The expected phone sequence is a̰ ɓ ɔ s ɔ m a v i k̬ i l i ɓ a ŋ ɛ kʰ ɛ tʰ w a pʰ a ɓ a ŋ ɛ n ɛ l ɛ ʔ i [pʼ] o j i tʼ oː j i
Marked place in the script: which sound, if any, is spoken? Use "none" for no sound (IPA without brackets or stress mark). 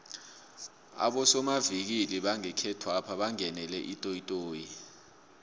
tʼ